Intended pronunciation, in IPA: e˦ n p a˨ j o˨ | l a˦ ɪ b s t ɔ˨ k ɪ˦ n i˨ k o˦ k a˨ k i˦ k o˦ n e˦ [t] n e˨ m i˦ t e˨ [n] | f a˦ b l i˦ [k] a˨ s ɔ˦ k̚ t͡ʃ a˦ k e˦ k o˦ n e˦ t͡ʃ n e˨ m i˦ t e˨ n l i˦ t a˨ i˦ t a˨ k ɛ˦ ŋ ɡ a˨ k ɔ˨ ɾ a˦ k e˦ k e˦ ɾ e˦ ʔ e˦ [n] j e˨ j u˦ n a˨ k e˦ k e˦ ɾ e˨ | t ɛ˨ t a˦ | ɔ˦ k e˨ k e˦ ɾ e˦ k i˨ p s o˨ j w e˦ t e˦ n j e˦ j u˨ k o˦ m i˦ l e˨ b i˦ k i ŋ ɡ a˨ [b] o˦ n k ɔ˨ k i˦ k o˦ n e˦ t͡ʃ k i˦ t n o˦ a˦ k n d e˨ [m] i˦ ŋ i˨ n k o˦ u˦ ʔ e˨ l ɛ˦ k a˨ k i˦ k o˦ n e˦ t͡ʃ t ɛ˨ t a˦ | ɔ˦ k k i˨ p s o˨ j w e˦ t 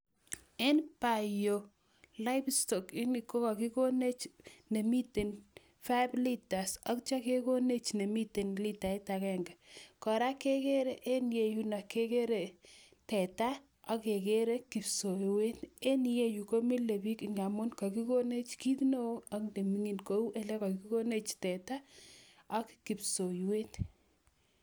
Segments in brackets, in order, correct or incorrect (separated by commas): incorrect, correct, incorrect, correct, incorrect, correct